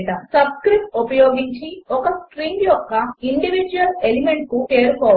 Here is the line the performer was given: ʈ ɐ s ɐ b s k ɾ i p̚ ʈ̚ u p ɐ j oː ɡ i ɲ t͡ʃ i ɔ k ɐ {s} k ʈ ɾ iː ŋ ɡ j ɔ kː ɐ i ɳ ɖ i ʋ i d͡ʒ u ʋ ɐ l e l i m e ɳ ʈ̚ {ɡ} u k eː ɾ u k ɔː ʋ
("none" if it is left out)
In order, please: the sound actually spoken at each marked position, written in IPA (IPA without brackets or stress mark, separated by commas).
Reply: s, k